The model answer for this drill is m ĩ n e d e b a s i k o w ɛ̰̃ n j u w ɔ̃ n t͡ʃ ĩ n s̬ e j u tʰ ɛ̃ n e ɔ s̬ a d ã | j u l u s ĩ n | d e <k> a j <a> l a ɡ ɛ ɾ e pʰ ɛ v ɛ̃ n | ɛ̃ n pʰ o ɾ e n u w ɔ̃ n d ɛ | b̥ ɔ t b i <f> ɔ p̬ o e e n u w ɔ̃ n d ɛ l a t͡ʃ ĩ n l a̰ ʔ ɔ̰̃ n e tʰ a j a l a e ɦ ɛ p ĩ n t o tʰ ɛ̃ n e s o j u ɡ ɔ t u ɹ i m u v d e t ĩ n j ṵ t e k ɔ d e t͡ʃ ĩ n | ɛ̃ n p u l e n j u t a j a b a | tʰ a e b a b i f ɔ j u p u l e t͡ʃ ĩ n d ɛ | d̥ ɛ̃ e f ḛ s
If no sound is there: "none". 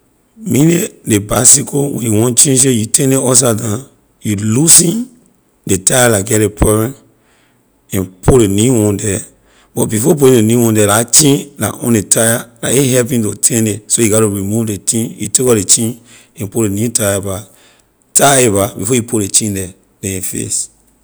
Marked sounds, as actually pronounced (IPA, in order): t, a, f

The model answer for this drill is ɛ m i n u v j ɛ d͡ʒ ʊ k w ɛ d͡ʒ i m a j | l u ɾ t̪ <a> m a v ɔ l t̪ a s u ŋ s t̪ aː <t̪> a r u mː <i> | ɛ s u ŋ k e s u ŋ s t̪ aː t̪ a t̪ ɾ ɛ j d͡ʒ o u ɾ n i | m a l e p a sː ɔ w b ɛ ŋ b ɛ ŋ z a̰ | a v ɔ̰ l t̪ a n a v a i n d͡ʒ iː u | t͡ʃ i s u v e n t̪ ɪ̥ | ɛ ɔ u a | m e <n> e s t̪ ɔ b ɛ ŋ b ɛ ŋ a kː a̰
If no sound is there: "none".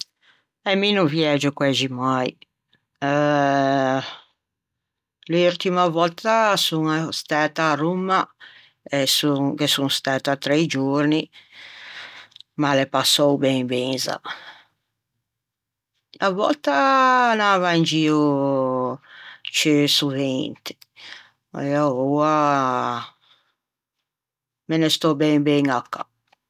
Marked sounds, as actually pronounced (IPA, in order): i, t̪, a, n

